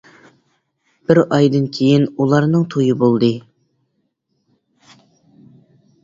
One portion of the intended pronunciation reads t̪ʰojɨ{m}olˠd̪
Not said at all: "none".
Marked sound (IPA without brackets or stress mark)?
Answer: b